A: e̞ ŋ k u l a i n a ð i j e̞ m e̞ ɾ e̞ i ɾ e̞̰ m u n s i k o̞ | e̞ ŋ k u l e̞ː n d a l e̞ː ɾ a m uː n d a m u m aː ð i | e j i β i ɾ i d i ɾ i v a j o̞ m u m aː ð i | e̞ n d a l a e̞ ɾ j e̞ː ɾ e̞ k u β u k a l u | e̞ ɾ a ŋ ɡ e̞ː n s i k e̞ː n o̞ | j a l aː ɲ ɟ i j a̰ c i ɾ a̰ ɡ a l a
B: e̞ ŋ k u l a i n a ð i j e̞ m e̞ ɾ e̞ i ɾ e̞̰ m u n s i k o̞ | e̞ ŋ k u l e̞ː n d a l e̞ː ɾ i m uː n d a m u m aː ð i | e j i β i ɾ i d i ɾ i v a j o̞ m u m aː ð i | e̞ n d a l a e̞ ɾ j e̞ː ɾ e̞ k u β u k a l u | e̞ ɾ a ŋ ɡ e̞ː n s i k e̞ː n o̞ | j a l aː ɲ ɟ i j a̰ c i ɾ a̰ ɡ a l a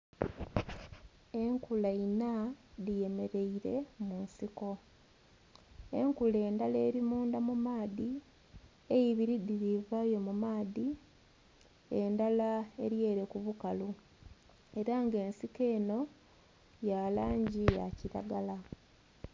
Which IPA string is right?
B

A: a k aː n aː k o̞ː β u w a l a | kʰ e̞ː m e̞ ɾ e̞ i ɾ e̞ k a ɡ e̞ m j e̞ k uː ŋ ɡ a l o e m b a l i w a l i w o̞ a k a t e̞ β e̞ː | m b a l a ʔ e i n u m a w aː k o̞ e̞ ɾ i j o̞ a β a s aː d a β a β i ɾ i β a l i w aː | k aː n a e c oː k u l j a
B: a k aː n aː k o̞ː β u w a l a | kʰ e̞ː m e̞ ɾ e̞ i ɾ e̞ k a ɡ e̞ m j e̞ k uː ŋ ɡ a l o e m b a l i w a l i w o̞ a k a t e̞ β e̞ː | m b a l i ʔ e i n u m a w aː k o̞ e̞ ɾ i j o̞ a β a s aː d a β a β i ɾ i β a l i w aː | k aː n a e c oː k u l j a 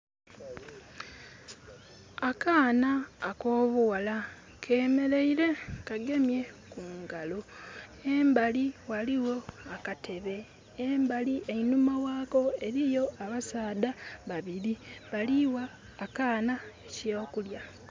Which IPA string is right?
B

